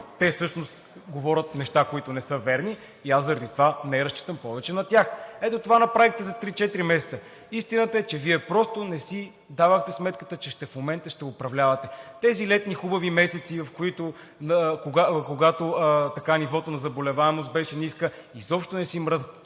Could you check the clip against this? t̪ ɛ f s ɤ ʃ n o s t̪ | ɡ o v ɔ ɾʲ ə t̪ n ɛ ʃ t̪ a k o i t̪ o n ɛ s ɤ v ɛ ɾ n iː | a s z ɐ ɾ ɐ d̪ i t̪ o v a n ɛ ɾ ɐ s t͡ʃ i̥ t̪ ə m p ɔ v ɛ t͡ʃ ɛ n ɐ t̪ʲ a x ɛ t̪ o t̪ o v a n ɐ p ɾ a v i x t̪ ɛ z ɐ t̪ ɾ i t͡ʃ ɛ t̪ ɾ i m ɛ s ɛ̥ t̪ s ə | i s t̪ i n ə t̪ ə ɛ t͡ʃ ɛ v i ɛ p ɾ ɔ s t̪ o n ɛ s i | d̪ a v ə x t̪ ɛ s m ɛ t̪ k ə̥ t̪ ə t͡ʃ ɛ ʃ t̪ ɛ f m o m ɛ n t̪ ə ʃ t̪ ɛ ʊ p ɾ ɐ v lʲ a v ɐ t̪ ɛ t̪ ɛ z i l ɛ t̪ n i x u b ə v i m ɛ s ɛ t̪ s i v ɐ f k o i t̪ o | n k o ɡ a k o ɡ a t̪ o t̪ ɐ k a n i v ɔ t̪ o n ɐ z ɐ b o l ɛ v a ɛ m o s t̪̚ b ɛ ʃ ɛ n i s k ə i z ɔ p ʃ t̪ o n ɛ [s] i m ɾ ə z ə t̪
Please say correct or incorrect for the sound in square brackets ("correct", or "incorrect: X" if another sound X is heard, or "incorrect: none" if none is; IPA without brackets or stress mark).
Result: correct